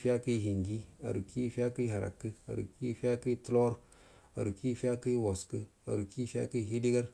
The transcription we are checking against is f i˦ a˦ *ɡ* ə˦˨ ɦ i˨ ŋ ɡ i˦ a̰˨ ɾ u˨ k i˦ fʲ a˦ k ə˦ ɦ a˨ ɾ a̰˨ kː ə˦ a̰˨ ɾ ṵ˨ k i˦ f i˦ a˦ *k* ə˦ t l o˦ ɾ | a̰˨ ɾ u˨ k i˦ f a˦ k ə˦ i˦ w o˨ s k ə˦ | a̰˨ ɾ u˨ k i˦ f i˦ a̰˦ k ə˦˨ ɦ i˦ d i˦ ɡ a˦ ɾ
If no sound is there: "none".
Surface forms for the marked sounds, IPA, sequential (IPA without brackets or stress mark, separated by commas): k, k